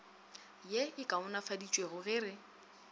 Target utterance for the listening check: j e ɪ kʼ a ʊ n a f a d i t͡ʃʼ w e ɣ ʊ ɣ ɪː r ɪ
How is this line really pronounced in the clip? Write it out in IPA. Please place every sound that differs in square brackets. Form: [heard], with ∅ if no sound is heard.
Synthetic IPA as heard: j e ɪ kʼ a ʊ n a f a d i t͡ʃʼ w e ɣ ʊ ɣ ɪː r ɪ